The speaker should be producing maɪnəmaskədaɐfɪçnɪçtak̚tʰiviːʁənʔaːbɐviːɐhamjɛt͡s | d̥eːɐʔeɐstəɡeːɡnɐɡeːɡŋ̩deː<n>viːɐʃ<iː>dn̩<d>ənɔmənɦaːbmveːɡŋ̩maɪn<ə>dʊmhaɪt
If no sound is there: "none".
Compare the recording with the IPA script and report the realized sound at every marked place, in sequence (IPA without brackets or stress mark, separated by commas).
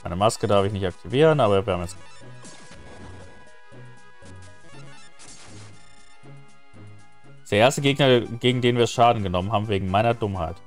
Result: n, aː, ɡ, ɐ